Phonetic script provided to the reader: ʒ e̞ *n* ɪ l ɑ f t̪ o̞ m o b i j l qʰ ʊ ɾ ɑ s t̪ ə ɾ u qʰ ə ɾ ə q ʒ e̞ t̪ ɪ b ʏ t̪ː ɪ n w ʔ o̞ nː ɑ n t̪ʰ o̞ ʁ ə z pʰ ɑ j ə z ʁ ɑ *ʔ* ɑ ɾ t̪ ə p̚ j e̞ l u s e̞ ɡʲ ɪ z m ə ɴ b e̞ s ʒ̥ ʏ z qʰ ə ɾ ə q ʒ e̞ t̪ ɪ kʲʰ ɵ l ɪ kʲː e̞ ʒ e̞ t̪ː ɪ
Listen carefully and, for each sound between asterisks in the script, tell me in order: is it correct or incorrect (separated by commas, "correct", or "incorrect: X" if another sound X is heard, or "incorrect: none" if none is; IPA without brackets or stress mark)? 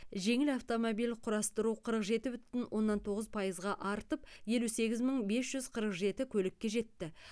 incorrect: ŋ, correct